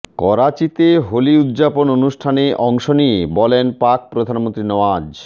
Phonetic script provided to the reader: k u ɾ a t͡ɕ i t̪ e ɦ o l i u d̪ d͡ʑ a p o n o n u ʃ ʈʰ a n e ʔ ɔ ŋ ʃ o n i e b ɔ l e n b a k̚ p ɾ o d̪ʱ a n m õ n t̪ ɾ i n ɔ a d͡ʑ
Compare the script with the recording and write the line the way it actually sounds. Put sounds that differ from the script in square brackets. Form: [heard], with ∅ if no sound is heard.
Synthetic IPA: k [ɔ] ɾ a t͡ɕ i t̪ e ɦ o l i u d̪ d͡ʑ a p o n o n u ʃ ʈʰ a n e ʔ ɔ ŋ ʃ o n i e b ɔ l e n [p] a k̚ p ɾ o d̪ʱ a n m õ n t̪ ɾ i n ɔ a d͡ʑ